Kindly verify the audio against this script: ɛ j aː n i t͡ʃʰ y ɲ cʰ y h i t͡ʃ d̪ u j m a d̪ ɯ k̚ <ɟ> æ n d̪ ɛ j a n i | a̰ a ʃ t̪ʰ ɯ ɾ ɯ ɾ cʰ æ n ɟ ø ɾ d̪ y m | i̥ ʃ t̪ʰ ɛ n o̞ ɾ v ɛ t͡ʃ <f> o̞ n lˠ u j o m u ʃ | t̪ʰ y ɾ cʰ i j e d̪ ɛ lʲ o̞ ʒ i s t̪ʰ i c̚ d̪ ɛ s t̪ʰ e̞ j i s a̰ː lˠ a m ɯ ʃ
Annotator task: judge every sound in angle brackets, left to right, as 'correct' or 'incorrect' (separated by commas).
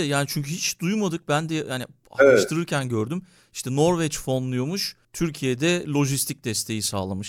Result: incorrect, correct